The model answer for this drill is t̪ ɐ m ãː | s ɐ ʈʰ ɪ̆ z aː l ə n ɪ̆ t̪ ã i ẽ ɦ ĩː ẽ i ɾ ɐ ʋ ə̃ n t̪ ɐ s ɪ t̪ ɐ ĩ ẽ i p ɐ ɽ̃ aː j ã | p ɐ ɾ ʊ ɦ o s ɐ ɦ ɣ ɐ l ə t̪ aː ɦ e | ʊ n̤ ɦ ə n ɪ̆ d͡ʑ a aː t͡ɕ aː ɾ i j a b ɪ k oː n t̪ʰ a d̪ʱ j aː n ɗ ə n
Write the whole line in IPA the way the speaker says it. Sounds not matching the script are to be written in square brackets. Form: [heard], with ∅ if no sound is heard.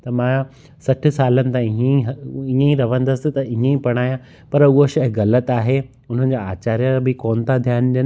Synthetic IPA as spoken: t̪ ɐ m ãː | s ɐ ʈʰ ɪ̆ [s] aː l ə n ɪ̆ t̪ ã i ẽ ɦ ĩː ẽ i ɾ ɐ ʋ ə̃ n [d̪] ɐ s ɪ t̪ ɐ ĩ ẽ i p ɐ ɽ̃ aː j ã | p ɐ ɾ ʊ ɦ o [ʃ] ɐ ɦ ɣ ɐ l ə t̪ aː ɦ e | ʊ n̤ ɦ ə n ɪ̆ d͡ʑ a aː t͡ɕ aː ɾ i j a b ɪ k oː n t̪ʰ a d̪ʱ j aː n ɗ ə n

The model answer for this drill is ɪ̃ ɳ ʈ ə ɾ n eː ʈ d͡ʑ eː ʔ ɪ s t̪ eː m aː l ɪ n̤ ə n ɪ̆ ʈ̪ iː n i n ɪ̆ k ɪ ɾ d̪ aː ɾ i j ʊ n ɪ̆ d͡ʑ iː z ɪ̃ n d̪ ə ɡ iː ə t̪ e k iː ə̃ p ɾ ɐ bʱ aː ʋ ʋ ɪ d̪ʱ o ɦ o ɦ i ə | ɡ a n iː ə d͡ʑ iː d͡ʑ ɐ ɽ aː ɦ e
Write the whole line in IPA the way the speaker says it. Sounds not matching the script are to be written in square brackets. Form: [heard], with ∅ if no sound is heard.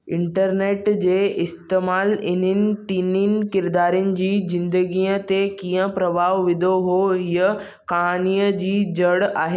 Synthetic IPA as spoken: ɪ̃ ɳ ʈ ə ɾ n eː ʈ d͡ʑ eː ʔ ɪ s t̪ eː m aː l ɪ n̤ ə n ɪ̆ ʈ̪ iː n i n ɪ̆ k ɪ ɾ d̪ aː ɾ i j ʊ n ɪ̆ d͡ʑ iː z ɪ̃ n d̪ ə ɡ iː ə t̪ e k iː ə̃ p ɾ ɐ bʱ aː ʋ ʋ ɪ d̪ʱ o ɦ o ɦ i ə | [k] a n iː ə d͡ʑ iː d͡ʑ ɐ ɽ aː ɦ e

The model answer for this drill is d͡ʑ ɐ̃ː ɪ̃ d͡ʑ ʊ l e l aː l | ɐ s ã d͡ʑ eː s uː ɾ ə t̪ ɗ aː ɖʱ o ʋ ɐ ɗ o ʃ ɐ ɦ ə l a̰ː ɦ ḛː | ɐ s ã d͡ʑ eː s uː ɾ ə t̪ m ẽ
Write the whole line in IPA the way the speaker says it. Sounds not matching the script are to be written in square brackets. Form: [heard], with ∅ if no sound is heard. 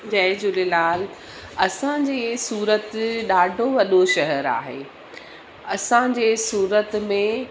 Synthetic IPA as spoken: d͡ʑ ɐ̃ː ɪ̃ d͡ʑ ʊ l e l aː l | ɐ s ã d͡ʑ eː s uː ɾ ə t̪ ɗ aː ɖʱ o ʋ ɐ ɗ o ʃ ɐ ɦ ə [ɾ] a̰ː ɦ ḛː | ɐ s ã d͡ʑ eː s uː ɾ ə t̪ m ẽ

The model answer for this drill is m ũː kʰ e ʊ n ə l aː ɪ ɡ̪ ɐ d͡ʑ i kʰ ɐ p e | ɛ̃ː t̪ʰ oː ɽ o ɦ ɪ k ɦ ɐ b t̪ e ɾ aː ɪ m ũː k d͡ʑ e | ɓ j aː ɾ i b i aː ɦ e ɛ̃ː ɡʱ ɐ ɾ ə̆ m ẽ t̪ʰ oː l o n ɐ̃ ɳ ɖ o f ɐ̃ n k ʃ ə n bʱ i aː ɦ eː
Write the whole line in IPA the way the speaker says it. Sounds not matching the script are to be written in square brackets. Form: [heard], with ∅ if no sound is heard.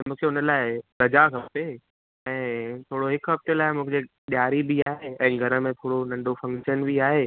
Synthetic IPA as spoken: m ũː kʰ e ʊ n ə l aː ɪ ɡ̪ ɐ d͡ʑ [a] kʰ ɐ p e | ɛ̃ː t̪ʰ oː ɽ o ɦ ɪ k ɦ ɐ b t̪ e [l] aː ɪ m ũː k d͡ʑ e | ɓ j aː ɾ i b i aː ɦ e ɛ̃ː ɡʱ ɐ ɾ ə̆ m ẽ t̪ʰ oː [ɽ] o n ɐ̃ ɳ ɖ o f ɐ̃ [ŋ] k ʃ ə n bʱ i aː ɦ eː

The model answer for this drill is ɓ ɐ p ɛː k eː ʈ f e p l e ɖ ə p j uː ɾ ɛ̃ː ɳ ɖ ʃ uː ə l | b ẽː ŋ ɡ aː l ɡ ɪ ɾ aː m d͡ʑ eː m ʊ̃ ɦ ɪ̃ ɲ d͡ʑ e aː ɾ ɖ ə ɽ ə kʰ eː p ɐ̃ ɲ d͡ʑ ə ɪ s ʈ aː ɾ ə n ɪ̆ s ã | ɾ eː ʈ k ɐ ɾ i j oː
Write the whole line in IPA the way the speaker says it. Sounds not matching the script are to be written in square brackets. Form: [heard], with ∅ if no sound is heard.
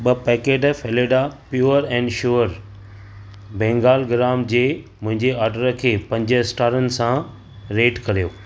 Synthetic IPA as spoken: ɓ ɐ p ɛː k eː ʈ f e [∅] l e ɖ [a] p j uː ɾ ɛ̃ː ɳ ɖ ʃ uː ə [ɾ] | b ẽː ŋ ɡ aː l ɡ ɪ ɾ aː m d͡ʑ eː m ʊ̃ ɦ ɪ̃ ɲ d͡ʑ e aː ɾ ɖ ə [ɾ] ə kʰ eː p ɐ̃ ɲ d͡ʑ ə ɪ s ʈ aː ɾ ə n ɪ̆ s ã | ɾ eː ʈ k ɐ ɾ i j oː

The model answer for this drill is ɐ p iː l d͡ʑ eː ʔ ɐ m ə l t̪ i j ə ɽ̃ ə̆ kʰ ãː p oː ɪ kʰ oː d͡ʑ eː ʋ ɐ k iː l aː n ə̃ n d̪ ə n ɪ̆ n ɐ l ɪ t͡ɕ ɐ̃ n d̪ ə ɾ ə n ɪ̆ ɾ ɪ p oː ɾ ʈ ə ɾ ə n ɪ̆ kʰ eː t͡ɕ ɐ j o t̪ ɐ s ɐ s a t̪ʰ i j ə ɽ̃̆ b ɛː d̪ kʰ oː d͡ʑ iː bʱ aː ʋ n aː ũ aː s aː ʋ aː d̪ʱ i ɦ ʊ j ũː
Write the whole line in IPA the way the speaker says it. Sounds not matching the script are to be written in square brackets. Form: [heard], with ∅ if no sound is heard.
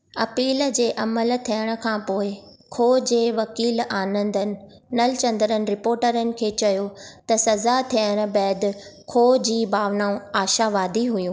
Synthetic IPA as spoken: ɐ p iː l d͡ʑ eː ʔ ɐ m ə l [t̪ʰ] i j ə ɽ̃ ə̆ kʰ ãː p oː ɪ kʰ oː d͡ʑ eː ʋ ɐ k iː l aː n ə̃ n d̪ ə n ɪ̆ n ɐ l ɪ t͡ɕ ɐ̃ n d̪ ə ɾ ə n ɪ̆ ɾ ɪ p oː ɾ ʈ ə ɾ ə n ɪ̆ kʰ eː t͡ɕ ɐ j o t̪ ɐ s ɐ [z] a t̪ʰ i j ə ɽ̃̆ b ɛː d̪ kʰ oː d͡ʑ iː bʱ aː ʋ n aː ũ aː [ʃ] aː ʋ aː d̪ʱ i ɦ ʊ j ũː

